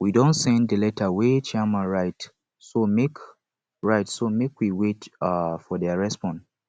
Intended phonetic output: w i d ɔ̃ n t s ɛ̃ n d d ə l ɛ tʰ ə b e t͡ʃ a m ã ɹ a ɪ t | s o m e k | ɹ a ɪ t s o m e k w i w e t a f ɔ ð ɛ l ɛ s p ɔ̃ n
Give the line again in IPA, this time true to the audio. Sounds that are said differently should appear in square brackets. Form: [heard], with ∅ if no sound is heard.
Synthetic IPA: w i d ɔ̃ n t s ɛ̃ n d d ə l ɛ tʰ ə [w] e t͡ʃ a m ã ɹ a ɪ t | s o m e k | ɹ a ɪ t s o m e k w i w e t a f ɔ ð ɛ [ɹ] ɛ s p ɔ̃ n